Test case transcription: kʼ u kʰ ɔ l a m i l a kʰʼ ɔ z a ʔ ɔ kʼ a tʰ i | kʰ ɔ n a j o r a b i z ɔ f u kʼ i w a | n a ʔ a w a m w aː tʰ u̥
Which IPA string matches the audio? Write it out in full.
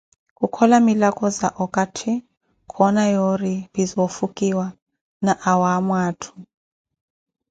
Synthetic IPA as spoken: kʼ u kʰ ɔ l a m i l a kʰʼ ɔ z a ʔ ɔ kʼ a tʰ i | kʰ ɔ n a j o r i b i z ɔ f u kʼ i w a | n a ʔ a w a m w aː tʰ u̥